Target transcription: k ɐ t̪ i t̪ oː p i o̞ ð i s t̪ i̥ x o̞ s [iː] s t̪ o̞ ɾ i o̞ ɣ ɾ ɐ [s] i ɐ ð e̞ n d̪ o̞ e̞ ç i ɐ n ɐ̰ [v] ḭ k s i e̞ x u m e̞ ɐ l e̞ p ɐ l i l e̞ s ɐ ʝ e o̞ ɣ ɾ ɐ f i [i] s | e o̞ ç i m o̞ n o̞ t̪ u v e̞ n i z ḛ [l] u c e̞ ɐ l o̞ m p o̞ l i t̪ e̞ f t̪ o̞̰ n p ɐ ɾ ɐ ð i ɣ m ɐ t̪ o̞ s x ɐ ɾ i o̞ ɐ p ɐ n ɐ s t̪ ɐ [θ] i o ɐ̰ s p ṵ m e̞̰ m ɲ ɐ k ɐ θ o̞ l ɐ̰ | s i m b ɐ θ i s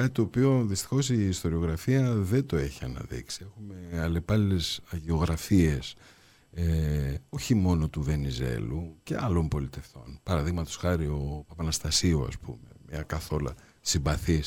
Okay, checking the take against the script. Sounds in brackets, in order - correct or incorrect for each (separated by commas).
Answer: correct, incorrect, incorrect, incorrect, correct, incorrect